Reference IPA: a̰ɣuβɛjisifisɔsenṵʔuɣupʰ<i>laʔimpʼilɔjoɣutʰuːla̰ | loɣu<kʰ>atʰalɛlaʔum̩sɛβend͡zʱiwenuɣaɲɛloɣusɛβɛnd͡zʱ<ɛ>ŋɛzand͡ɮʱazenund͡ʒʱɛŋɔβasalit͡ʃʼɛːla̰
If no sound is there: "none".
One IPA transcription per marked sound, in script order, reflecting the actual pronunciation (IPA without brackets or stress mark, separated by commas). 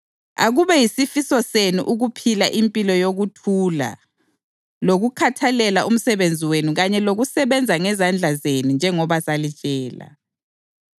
i, kʰ, a